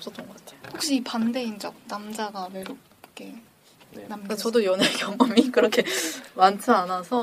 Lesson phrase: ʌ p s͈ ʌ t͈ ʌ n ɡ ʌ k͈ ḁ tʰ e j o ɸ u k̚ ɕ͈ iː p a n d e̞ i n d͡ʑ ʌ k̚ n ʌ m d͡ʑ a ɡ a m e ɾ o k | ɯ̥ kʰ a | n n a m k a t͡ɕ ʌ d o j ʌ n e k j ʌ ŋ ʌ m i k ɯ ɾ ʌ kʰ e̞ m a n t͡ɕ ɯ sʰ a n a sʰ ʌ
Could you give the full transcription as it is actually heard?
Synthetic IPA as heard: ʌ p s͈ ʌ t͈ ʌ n ɡ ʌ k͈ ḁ tʰ e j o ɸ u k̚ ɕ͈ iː p a n d e̞ i n d͡ʑ ʌ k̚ n a m d͡ʑ a ɡ a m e ɾ o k | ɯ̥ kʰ e | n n a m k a t͡ɕ ʌ d o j ʌ n e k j ʌ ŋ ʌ m i k ɯ ɾ ʌ kʰ e̞ m a n t͡ɕʰ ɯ a n a sʰ ʌ